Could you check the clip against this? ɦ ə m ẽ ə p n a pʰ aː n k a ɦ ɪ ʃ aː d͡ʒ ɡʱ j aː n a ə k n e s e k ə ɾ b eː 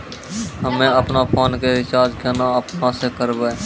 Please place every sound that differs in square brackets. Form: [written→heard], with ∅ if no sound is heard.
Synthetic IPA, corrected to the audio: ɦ ə m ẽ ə p n a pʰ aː n k [a→e] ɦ ɪ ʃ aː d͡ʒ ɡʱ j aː n a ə [k→p] n [e→a] s e k ə ɾ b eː